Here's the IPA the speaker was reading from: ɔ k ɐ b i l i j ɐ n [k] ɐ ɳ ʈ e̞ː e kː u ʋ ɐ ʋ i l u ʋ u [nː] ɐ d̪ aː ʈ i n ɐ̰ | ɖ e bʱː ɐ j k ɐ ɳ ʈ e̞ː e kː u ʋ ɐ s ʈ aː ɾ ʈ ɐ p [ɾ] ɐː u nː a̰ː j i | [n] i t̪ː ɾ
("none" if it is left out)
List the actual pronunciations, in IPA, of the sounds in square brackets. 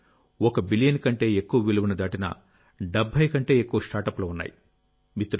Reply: k, n, l, m

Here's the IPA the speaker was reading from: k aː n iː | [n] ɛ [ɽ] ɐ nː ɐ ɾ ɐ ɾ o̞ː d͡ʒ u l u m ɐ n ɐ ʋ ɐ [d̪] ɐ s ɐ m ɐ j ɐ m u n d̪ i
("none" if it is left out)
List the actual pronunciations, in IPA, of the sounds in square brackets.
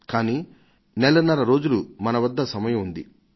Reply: n, l, d̪ː

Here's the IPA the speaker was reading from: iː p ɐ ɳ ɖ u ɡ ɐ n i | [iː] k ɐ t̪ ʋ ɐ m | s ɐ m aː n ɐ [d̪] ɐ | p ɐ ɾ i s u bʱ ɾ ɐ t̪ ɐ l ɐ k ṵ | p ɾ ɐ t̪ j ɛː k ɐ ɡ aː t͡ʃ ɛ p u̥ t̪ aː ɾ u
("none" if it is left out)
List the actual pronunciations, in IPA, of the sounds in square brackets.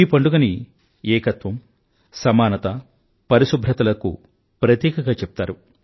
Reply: ɛː, t̪

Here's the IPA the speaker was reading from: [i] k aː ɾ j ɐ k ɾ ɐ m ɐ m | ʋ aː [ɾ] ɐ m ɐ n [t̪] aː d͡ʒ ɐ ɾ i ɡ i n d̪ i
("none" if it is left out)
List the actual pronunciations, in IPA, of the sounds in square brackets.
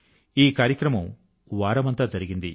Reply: iː, ɾ, t̪

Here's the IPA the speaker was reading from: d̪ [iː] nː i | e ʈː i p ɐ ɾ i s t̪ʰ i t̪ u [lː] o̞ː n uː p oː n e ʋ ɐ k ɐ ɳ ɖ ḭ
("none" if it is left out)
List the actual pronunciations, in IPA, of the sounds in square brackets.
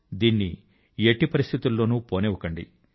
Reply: iː, lː

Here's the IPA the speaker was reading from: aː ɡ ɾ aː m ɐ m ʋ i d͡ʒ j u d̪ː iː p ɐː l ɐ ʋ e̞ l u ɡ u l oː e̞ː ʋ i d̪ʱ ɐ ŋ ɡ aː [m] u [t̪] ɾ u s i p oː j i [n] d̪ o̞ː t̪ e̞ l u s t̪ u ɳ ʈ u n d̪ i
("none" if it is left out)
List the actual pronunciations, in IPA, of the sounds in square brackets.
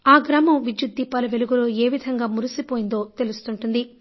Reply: m, none, n

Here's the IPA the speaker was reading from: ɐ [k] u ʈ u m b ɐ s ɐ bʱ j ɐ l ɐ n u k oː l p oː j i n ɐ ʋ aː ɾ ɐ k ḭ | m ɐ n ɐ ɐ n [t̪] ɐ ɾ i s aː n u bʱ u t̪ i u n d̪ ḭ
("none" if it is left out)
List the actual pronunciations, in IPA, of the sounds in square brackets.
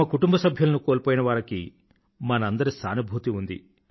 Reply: k, d̪

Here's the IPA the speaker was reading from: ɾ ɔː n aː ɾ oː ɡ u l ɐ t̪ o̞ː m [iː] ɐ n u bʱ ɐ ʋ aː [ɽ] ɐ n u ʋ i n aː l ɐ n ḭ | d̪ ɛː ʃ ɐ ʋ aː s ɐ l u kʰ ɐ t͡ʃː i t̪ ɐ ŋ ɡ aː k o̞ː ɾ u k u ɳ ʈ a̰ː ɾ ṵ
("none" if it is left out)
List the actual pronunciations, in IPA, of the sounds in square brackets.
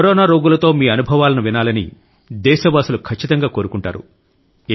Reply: iː, l

